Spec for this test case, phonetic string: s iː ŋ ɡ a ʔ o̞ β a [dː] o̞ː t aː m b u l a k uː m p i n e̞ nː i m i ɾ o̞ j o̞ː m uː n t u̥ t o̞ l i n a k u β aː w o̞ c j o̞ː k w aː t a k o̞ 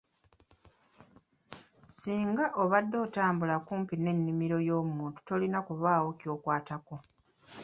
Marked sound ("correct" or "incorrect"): correct